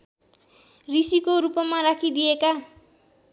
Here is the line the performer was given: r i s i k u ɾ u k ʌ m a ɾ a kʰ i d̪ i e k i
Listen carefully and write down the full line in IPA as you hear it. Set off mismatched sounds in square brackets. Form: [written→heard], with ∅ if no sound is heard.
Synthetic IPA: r i s i k [u→o] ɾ u [k→p] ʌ m a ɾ a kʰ i d̪ i e k [i→a]